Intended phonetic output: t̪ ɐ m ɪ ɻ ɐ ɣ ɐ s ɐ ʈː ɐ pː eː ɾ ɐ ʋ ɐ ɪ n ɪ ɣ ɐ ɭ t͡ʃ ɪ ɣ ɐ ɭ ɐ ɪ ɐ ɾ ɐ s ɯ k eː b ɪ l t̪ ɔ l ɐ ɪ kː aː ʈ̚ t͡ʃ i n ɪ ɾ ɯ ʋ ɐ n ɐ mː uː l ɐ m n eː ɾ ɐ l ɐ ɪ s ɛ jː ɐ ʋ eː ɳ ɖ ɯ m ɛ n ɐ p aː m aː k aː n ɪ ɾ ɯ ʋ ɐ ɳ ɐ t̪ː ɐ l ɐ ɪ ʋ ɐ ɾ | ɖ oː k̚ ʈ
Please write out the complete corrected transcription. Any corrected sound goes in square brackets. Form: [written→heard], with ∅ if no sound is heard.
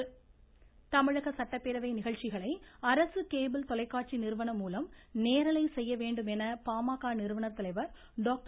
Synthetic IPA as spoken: t̪ ɐ m ɪ ɻ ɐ ɣ ɐ s ɐ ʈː ɐ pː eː ɾ ɐ ʋ ɐ ɪ n ɪ ɣ ɐ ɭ t͡ʃ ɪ ɣ ɐ ɭ ɐ ɪ ɐ ɾ ɐ s ɯ k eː b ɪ l t̪ ɔ l ɐ ɪ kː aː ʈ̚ t͡ʃ i n ɪ ɾ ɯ ʋ ɐ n ɐ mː uː l ɐ m n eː ɾ ɐ l ɐ ɪ s ɛ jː ɐ ʋ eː ɳ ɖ ɯ m ɛ n ɐ p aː m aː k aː n ɪ ɾ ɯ ʋ ɐ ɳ ɐ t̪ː ɐ l ɐ ɪ ʋ ɐ ɾ | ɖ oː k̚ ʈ